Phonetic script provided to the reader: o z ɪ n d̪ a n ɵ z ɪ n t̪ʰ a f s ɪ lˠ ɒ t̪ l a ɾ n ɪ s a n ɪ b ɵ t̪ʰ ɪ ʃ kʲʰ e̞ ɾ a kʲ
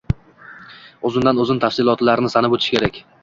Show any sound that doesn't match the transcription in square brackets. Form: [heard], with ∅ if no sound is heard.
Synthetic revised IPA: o z ɪ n d̪ a n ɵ z ɪ n t̪ʰ a f s ɪ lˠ ɒ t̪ l a ɾ n ɪ s a n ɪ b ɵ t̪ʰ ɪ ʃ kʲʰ e̞ ɾ a kʲ